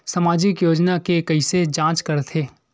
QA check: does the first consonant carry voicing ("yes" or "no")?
no